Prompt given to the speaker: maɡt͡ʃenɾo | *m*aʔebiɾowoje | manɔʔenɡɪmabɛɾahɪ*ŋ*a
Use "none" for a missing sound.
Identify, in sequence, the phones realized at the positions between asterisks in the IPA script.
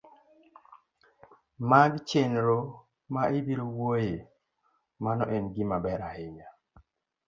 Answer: m, ɲ

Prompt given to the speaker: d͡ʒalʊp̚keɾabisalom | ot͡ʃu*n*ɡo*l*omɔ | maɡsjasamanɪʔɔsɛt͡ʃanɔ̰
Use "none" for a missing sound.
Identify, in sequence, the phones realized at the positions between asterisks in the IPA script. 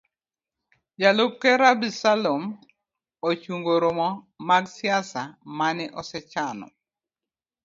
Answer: ŋ, ɾ

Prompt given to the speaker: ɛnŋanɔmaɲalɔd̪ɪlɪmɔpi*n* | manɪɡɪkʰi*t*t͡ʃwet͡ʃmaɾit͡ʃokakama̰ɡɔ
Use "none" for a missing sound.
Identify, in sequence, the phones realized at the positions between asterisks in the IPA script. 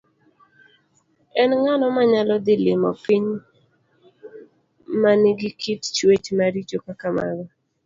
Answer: ɲ, t

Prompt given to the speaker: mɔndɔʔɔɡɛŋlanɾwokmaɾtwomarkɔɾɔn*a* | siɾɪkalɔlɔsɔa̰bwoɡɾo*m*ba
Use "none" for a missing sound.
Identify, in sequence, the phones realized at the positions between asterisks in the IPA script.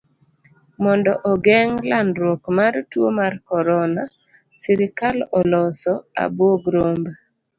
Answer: a, m

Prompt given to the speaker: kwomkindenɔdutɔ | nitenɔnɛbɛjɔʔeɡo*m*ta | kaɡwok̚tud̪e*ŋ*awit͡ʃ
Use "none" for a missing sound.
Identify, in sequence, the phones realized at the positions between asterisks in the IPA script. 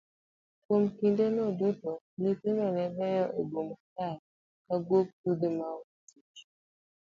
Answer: m, m

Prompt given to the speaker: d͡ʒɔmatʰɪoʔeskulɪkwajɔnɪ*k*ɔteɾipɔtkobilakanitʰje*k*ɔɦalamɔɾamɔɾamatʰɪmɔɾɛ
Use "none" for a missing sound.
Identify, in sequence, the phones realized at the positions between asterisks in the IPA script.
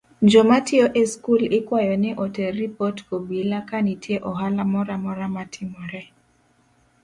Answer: ʔ, ʔ

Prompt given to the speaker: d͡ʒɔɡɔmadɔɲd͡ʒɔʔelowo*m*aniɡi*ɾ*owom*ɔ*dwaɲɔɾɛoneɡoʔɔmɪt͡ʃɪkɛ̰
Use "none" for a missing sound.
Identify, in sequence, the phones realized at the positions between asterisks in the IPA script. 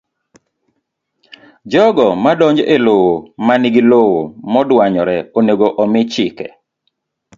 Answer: m, l, ɔ

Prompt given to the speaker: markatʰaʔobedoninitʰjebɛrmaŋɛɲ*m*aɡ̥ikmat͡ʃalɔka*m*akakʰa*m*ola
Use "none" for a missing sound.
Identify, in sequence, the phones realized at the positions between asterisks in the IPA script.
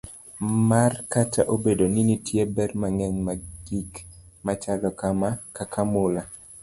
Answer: m, m, m

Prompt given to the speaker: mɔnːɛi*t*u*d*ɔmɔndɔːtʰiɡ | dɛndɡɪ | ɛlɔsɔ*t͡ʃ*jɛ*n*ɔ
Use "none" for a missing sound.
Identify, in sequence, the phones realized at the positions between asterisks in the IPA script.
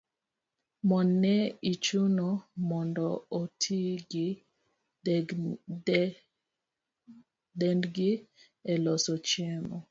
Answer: t͡ʃ, n, t͡ʃ, m

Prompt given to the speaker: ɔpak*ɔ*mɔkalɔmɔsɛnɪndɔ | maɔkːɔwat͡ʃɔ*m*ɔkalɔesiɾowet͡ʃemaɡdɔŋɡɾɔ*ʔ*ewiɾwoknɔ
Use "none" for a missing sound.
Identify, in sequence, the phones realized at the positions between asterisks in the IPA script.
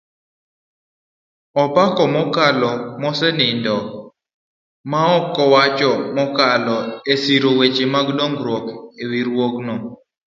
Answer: ɔ, m, k

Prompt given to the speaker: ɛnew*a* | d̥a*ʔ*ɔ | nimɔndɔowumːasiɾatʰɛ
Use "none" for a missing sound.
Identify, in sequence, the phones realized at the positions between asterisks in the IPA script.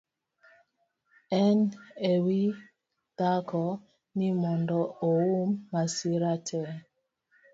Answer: i, k

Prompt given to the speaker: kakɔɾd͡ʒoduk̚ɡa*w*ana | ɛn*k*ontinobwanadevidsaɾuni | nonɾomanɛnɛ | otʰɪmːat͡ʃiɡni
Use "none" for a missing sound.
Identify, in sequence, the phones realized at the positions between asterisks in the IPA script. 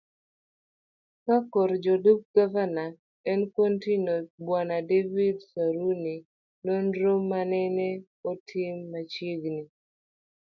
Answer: v, k

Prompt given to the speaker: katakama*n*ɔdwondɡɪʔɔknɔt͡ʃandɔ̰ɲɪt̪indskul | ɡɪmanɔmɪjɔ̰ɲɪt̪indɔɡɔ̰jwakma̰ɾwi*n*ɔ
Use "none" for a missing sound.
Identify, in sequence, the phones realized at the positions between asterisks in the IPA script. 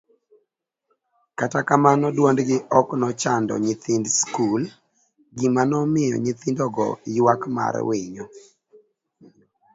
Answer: n, ɲ

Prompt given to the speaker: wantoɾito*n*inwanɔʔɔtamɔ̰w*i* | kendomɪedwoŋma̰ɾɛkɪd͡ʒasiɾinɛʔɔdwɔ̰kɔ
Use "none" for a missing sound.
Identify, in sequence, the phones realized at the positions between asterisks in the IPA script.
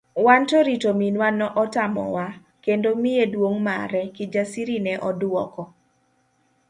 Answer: m, a

